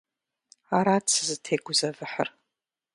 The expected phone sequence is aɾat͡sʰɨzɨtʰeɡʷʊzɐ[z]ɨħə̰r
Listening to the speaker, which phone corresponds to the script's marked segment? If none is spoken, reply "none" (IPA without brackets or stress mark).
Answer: v